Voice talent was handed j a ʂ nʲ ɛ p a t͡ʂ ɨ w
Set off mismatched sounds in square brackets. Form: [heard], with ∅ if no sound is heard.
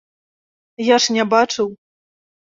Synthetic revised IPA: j a ʂ nʲ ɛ [b] a t͡ʂ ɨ w